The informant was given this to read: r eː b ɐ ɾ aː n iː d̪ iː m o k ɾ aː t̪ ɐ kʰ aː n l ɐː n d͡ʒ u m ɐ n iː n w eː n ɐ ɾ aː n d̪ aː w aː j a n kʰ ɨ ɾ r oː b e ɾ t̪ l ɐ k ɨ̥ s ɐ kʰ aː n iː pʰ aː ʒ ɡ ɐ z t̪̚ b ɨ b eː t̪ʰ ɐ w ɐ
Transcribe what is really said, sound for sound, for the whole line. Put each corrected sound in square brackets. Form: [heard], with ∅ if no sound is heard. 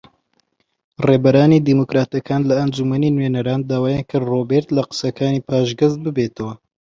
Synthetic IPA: r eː b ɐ ɾ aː n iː d̪ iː m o k ɾ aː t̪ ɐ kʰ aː n l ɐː n d͡ʒ u m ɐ n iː n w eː n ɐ ɾ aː n d̪ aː w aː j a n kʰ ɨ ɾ r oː b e ɾ t̪ l ɐ [q] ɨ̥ s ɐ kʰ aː n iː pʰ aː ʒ ɡ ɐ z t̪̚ b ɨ b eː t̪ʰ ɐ w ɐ